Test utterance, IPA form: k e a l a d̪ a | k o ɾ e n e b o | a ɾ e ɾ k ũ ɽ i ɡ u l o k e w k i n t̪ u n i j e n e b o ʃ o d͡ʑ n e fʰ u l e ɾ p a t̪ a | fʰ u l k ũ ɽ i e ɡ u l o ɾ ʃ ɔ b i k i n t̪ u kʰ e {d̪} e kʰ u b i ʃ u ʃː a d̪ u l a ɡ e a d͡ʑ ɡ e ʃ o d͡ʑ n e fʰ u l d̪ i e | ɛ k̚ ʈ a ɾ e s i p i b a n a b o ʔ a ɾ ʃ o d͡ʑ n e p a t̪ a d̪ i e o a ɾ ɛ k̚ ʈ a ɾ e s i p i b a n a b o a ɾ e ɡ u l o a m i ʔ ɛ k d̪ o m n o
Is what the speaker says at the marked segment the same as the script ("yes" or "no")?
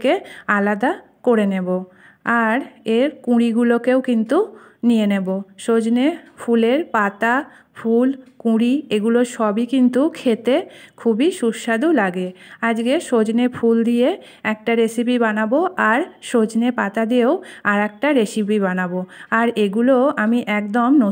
no